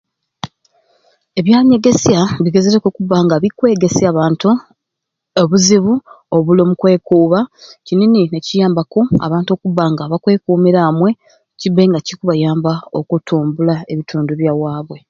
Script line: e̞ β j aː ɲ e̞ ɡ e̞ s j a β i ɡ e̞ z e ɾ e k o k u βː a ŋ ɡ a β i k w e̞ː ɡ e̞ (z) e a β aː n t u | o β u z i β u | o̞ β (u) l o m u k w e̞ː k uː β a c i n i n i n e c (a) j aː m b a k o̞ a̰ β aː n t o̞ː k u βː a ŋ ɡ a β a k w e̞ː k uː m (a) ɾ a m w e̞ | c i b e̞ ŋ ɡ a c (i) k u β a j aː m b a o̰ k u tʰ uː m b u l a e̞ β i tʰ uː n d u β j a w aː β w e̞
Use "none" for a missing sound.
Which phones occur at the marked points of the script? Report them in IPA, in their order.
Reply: s, u, i, i, i

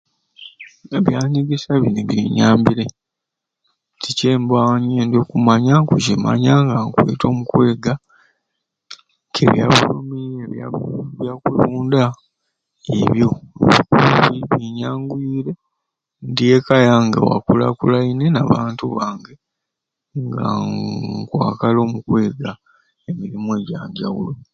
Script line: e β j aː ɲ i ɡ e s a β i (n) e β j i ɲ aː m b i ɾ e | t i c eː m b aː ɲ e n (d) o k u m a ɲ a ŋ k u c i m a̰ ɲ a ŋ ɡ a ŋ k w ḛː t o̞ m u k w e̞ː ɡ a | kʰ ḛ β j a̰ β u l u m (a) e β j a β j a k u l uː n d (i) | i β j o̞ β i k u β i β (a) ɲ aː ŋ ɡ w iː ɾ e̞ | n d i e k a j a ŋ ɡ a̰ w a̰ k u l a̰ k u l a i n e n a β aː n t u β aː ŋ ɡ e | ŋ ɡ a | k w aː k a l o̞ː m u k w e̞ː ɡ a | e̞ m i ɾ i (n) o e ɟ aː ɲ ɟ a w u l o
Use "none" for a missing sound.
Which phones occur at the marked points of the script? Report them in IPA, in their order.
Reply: n, d, i, a, i, m

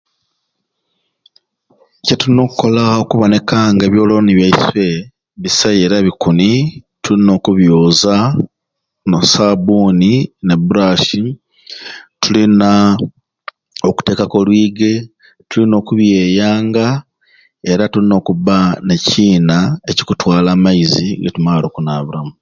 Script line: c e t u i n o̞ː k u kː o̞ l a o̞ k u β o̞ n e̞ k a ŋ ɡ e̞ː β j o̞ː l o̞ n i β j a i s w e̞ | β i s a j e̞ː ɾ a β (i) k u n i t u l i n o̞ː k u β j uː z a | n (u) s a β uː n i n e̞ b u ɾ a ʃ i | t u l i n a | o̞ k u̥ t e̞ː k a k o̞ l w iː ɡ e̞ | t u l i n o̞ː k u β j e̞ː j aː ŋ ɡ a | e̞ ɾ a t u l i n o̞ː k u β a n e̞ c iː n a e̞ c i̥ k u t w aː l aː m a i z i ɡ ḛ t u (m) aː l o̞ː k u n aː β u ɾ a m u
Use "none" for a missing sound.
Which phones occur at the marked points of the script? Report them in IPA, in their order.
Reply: i, o, m

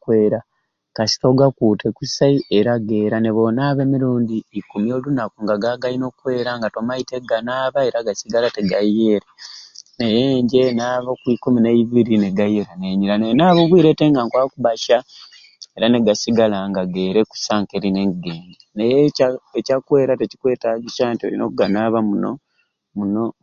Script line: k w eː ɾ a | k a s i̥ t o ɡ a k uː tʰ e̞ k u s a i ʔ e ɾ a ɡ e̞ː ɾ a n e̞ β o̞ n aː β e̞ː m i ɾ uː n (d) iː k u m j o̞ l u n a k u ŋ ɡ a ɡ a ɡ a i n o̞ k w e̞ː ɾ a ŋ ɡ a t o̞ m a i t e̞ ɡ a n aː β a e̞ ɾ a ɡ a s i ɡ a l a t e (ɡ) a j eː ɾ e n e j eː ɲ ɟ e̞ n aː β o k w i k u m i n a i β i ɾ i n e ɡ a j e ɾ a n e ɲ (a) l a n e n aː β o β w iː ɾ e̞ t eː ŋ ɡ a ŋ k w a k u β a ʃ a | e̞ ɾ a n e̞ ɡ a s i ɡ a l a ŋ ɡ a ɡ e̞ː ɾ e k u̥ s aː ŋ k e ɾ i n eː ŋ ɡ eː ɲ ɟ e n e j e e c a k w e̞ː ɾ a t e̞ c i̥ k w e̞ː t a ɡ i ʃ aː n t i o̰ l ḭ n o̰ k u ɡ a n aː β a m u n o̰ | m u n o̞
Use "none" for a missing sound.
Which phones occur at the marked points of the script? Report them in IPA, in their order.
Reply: d, ɡ, i

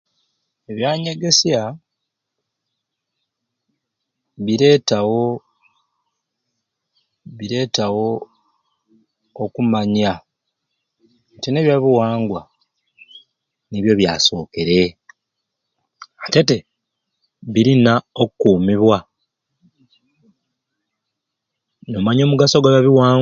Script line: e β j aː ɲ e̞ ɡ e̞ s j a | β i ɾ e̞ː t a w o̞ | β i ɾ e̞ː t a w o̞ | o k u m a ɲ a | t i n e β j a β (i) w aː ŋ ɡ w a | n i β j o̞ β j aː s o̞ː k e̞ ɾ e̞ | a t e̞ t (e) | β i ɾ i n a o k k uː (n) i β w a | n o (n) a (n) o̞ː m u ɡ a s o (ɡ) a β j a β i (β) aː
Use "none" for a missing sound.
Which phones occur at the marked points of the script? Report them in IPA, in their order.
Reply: i, e, m, m, ɲ, ɡ, w

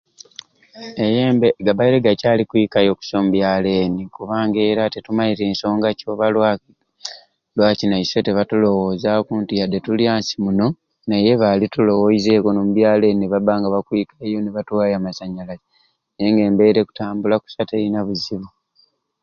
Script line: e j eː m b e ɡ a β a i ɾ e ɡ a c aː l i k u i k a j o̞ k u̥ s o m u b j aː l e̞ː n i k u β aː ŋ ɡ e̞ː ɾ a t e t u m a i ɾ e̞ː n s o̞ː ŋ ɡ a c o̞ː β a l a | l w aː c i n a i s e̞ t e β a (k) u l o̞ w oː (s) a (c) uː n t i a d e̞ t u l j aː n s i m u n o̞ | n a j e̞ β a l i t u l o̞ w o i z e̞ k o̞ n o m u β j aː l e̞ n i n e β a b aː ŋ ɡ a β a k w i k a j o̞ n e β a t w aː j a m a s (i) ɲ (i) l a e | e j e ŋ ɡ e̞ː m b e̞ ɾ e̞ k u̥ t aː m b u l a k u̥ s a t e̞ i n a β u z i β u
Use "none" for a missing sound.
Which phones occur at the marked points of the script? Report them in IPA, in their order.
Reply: t, z, k, a, a

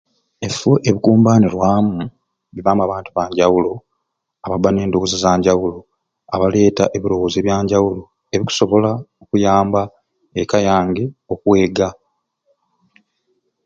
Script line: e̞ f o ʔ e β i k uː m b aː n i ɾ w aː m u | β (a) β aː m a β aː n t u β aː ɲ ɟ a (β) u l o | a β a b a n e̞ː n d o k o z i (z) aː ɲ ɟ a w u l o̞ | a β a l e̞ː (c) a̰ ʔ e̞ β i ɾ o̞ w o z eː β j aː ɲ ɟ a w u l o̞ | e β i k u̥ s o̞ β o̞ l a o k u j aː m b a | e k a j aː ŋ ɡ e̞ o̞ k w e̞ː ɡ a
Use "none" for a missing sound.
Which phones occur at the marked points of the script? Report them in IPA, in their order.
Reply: i, w, z, t

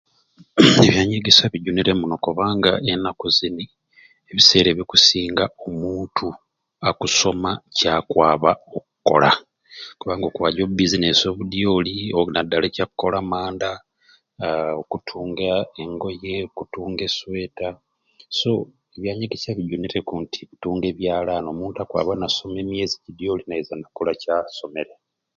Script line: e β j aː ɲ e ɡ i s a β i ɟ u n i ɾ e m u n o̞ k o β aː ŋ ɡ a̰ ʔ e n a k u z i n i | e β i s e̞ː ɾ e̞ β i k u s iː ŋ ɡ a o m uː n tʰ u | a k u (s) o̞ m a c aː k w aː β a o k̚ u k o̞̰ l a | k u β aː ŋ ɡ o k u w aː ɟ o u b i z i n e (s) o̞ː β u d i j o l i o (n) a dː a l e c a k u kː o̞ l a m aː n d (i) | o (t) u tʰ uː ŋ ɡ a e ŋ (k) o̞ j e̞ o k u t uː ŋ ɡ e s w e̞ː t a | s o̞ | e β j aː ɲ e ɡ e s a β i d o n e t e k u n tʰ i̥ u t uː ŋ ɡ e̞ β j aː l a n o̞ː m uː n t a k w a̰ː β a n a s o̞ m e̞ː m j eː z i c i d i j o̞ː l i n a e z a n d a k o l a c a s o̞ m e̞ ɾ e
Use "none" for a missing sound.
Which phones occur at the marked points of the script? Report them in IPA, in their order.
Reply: s, s, n, a, k, ɡ

